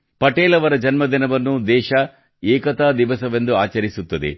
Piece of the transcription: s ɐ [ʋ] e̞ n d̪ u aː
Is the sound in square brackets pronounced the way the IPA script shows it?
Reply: yes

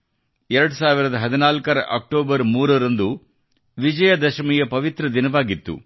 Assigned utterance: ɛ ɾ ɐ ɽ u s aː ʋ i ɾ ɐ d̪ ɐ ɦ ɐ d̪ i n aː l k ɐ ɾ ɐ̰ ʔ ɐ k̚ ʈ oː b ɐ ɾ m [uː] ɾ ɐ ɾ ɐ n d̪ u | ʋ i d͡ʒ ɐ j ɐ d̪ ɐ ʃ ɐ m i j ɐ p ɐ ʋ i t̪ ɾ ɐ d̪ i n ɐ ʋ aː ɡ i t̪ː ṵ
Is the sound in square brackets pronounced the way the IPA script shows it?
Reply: yes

